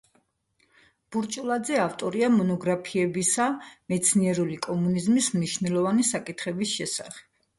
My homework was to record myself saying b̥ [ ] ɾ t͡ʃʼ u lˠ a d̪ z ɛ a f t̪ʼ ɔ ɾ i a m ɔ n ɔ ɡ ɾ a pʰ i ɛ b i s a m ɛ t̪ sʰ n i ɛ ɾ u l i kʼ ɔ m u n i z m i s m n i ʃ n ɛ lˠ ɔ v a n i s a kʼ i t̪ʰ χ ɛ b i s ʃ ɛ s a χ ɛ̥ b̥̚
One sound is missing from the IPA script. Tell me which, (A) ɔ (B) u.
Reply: B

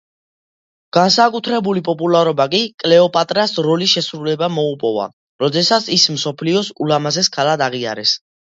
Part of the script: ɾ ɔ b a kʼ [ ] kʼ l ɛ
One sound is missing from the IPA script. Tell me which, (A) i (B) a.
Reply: A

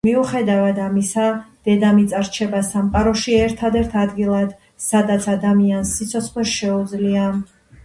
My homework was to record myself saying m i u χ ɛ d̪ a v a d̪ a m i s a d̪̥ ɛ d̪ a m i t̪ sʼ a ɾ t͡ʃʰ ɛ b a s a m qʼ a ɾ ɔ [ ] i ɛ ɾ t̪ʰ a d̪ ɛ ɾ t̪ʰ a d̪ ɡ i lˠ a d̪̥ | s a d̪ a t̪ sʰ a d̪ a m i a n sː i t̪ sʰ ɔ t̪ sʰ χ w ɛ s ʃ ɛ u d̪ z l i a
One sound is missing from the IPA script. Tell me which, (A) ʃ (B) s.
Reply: A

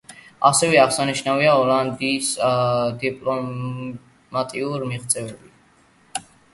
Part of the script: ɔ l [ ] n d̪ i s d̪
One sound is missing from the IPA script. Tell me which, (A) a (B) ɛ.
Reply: A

